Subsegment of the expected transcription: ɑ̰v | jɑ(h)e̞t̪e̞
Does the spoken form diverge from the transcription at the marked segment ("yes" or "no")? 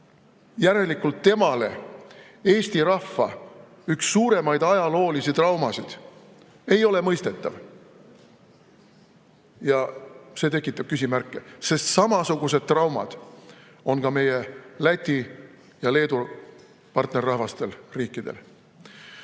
yes